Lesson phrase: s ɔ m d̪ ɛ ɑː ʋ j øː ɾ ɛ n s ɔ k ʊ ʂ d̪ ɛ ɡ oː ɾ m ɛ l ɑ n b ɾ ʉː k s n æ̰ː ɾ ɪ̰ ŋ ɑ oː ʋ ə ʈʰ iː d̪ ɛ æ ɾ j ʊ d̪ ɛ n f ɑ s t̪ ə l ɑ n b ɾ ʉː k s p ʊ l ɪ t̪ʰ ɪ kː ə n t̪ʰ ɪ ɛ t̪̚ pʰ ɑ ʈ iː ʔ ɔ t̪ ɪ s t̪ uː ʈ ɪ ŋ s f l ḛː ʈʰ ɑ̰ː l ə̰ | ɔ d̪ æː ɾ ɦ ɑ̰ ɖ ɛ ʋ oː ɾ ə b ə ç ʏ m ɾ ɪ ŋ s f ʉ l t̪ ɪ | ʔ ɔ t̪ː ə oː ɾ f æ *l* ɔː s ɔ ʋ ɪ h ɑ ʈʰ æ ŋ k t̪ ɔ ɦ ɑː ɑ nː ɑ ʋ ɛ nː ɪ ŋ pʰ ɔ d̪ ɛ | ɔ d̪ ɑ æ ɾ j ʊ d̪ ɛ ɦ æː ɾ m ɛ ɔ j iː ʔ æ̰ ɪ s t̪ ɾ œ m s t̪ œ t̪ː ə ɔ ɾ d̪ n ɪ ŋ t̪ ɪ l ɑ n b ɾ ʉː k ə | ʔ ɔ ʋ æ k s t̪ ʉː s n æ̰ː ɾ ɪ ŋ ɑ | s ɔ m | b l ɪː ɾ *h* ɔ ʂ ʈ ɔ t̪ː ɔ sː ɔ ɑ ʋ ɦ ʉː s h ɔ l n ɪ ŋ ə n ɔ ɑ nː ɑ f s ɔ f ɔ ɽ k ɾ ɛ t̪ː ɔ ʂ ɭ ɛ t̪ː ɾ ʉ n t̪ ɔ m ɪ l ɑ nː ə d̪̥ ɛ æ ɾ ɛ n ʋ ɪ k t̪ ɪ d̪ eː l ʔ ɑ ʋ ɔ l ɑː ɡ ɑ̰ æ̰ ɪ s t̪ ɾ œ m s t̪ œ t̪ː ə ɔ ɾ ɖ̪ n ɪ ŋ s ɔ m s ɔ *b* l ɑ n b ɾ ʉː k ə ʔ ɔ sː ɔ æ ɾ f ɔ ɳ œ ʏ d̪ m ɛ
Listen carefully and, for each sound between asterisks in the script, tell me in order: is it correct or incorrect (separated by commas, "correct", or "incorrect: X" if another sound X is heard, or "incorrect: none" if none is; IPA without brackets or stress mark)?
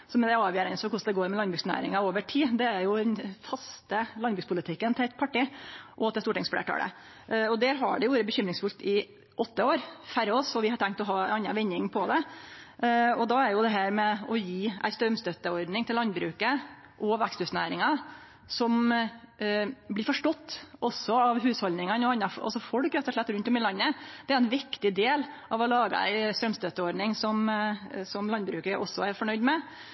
incorrect: ɾ, incorrect: f, incorrect: m